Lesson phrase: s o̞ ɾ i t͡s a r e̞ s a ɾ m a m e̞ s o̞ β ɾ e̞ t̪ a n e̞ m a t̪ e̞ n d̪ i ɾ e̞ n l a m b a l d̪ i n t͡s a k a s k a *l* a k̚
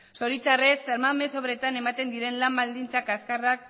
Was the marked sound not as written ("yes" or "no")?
yes